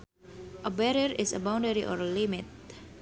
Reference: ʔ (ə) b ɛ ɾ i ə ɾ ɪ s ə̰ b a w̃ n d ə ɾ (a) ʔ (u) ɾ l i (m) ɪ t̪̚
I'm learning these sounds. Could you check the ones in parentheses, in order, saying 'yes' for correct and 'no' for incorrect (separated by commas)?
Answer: yes, no, no, yes